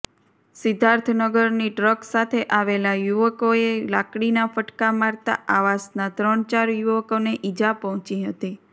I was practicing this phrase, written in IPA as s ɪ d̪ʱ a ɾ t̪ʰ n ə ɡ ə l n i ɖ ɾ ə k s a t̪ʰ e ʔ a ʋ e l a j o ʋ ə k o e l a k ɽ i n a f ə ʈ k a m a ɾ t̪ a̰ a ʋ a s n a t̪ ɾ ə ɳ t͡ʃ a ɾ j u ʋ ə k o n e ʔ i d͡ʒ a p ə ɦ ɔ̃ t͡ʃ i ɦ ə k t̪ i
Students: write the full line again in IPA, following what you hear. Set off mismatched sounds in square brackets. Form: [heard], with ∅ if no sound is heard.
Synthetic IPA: s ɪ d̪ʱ a ɾ t̪ʰ n ə ɡ ə [ɾ] n i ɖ ɾ ə k s a t̪ʰ e ʔ a ʋ e l a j [u] ʋ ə k o e l a k ɽ i n a f ə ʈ k a m a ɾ t̪ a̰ a ʋ a s n a t̪ ɾ ə ɳ t͡ʃ a ɾ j u ʋ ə k o n e ʔ i d͡ʒ a p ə ɦ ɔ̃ t͡ʃ i ɦ ə [∅] t̪ i